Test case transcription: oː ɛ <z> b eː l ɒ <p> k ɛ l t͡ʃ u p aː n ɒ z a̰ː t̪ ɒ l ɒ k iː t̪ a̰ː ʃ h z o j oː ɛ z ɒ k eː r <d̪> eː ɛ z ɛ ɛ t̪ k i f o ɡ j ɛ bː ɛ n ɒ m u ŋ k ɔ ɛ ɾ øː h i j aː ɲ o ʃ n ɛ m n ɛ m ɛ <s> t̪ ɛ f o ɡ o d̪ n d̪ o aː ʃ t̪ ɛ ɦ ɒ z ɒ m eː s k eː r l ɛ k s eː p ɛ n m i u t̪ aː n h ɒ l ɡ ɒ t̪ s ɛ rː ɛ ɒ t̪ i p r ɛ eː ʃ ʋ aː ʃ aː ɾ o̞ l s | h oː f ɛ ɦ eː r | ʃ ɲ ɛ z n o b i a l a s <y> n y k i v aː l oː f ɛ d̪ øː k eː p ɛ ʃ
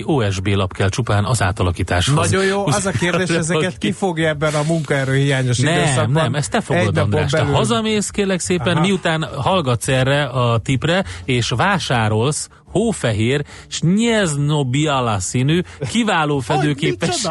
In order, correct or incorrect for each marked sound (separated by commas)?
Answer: incorrect, correct, correct, correct, incorrect